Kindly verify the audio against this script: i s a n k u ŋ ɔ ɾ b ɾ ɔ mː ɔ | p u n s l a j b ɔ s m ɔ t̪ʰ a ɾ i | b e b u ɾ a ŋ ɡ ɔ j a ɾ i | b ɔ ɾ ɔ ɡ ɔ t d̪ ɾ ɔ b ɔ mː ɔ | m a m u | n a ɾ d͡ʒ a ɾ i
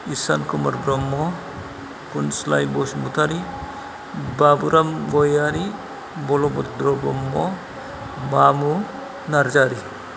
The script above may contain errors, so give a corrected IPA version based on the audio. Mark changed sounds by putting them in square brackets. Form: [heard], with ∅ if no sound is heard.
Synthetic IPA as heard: i s a n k u [m] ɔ ɾ b ɾ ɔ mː ɔ | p u n s l a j b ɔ s m [u] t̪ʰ a ɾ i | b [a] b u ɾ a [m] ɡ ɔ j a ɾ i | b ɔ [l] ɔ [b] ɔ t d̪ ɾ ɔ b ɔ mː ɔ | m a m u | n a ɾ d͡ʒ a ɾ i